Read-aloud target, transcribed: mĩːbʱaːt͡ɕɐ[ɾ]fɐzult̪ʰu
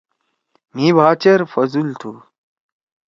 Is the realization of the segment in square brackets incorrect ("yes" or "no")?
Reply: no